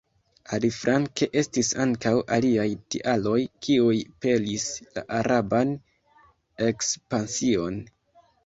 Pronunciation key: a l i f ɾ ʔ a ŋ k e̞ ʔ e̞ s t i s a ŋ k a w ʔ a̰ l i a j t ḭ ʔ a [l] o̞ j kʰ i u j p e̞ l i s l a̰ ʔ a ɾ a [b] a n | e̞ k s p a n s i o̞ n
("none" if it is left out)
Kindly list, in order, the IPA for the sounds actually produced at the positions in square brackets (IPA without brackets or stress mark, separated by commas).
l, b